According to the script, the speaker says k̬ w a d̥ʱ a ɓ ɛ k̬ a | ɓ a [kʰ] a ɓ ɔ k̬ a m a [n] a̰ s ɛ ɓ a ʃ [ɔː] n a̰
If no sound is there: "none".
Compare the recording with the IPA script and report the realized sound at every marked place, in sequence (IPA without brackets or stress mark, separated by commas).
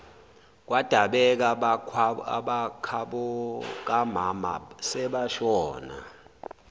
kʰ, m, ɔː